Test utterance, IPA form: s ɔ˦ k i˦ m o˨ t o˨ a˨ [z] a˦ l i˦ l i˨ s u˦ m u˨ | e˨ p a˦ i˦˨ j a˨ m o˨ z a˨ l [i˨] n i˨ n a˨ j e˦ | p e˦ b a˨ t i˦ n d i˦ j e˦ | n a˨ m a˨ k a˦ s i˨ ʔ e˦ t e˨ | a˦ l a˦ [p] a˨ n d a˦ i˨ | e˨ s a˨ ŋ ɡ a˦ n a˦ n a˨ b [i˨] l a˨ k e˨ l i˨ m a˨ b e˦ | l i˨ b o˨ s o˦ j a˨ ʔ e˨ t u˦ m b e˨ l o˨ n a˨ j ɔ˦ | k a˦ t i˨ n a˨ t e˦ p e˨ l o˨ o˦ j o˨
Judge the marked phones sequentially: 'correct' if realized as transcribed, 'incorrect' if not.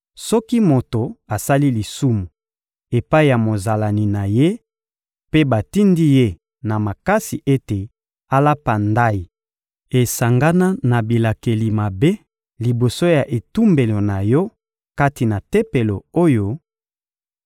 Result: incorrect, incorrect, correct, correct

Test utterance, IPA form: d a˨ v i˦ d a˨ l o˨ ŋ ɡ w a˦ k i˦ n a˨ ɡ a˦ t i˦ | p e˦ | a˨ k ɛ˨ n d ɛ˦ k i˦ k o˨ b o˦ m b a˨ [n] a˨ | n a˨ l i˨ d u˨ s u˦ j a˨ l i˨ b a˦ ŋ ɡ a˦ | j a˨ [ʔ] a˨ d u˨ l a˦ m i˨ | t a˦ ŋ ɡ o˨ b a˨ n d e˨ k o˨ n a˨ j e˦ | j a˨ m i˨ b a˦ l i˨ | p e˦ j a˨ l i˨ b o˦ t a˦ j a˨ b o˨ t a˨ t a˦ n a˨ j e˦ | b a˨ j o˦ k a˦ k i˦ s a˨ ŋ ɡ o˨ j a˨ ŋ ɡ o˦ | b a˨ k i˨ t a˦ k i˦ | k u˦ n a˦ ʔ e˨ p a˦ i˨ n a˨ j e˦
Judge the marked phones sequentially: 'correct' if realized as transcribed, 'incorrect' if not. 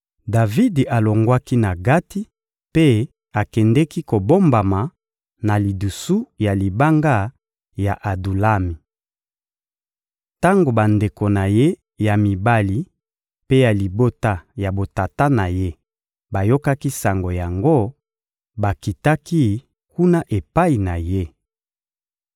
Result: incorrect, correct

